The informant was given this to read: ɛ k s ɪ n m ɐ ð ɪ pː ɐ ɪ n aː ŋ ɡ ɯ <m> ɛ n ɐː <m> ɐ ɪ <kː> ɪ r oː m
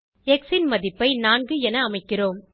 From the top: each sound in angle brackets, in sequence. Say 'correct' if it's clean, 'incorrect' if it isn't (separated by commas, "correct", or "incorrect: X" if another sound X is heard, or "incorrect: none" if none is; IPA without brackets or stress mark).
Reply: incorrect: none, correct, correct